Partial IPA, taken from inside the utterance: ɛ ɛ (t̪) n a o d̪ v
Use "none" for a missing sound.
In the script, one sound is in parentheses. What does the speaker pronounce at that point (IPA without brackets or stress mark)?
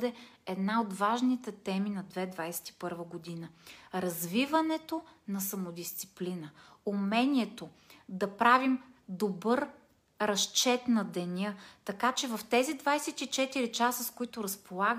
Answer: d̪